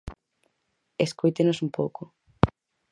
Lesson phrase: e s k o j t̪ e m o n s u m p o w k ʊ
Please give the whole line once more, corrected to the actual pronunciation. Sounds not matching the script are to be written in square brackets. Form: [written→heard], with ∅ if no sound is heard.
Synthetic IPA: e s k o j t̪ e [m→n] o [n→∅] s u m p o w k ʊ